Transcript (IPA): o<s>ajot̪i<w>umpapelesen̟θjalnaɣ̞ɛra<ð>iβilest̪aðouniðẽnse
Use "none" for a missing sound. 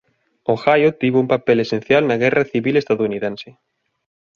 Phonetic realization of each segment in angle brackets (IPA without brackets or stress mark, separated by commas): x, β, θ